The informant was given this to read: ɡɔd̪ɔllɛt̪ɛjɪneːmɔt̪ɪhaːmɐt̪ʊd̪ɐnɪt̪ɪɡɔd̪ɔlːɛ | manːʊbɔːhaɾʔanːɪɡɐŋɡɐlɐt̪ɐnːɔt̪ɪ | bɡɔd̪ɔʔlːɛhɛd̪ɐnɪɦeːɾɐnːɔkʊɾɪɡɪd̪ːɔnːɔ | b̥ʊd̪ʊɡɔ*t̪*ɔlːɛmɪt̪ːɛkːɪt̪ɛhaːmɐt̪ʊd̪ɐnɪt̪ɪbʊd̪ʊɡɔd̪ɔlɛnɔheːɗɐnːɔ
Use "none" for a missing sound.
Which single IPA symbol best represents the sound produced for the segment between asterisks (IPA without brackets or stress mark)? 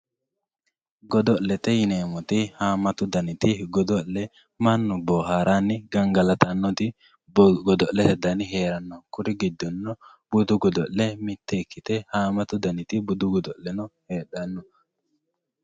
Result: d̪